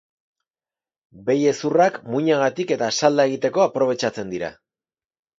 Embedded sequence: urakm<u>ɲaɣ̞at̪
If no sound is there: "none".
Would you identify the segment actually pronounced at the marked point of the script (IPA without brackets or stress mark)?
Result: u